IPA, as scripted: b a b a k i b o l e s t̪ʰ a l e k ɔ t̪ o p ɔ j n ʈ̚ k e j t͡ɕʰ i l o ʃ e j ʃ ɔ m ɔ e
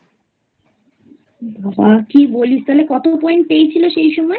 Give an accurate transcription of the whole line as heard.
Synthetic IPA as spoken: b a b a k i b o l i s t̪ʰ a l e k ɔ t̪ o p ɔ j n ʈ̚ p e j t͡ɕʰ i l o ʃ e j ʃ ɔ m ɔ e

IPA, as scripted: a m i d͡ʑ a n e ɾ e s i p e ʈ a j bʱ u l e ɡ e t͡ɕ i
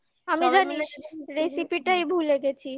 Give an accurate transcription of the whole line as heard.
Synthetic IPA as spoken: a m i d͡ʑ a n i ɾ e s i p i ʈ a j bʱ u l e ɡ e t͡ɕʰ i

